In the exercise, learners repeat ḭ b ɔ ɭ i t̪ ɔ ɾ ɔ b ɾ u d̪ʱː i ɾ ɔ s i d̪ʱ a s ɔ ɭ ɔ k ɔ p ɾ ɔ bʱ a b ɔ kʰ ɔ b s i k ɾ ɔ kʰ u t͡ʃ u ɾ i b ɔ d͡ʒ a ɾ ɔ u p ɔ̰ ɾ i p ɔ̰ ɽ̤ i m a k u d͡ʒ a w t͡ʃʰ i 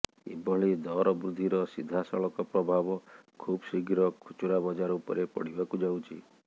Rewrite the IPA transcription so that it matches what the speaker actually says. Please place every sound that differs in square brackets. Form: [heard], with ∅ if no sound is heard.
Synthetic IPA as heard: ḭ b ɔ ɭ i [d̪] ɔ ɾ ɔ b ɾ u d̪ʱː i ɾ ɔ s i d̪ʱ a s ɔ ɭ ɔ k ɔ p ɾ ɔ bʱ a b ɔ kʰ [u] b s i [ɡ] ɾ ɔ kʰ u t͡ʃ u ɾ [a] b ɔ d͡ʒ a ɾ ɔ u p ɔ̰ ɾ [e] p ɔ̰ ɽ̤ i [b] a k u d͡ʒ a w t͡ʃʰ i